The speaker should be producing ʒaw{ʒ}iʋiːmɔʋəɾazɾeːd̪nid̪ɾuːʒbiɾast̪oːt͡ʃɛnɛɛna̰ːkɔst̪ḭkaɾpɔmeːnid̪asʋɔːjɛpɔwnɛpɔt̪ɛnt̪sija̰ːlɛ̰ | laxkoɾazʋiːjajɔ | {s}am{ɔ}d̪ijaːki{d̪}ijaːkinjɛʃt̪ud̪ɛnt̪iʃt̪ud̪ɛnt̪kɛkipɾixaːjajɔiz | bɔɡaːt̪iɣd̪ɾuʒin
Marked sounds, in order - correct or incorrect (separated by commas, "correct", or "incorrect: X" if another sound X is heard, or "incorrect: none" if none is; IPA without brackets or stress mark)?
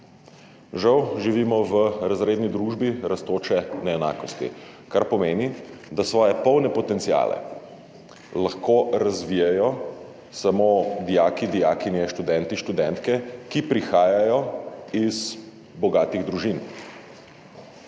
correct, correct, incorrect: o, correct